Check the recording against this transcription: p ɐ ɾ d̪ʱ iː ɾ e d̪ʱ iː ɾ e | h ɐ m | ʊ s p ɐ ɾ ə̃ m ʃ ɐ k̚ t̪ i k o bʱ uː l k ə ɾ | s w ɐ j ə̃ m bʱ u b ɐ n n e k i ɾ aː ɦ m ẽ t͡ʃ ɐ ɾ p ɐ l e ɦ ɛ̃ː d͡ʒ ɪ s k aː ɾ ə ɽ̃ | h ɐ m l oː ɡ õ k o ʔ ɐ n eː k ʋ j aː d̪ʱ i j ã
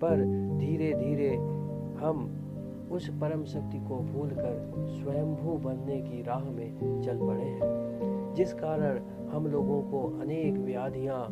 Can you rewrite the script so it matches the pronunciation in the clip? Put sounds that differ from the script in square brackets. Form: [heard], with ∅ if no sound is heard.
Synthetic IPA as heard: p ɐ ɾ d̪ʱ iː ɾ e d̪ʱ iː ɾ e | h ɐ m | ʊ s p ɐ ɾ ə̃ m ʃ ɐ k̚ t̪ i k o bʱ uː l k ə ɾ | s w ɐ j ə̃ m bʱ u b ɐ n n e k i ɾ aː ɦ m ẽ t͡ʃ ɐ [l] p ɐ [ɽ] e ɦ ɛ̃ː d͡ʒ ɪ s k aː ɾ ə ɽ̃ | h ɐ m l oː ɡ õ k o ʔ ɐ n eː k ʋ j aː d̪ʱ i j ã